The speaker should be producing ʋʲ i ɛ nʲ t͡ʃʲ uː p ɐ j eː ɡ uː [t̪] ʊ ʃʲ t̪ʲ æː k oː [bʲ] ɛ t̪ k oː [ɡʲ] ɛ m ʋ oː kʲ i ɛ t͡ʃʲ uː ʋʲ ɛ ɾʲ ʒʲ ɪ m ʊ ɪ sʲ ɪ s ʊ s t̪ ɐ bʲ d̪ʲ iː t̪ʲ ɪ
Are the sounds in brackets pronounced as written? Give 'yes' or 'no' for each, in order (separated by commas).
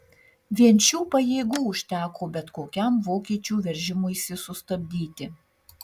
no, yes, no